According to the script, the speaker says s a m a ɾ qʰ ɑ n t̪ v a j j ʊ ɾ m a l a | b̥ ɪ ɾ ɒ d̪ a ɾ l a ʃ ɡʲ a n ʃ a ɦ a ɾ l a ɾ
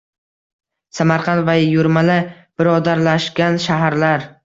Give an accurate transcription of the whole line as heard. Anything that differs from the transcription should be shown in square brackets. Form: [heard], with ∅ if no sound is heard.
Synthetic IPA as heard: s a m a ɾ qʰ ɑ n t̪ v a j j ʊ ɾ m a l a | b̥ ɪ ɾ ɒ d̪ a ɾ l a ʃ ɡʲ a n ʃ a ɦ a ɾ l a ɾ